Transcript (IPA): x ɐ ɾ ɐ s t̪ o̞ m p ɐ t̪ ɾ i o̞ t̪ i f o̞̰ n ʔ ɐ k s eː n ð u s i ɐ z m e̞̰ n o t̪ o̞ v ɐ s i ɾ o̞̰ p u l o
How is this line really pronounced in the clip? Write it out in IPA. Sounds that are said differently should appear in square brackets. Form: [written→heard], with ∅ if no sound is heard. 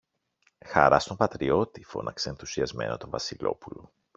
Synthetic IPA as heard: x ɐ ɾ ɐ s t̪ o̞ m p ɐ t̪ ɾ i o̞ t̪ i f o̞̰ n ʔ ɐ k s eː n [ð→θ] u s i ɐ z m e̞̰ n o t̪ o̞ v ɐ s i [ɾ→l] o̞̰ p u l o